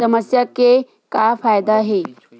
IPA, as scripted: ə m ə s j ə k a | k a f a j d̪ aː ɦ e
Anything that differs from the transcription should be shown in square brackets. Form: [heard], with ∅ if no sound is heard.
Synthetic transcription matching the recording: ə m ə s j [a] k [e] | k a f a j d̪ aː ɦ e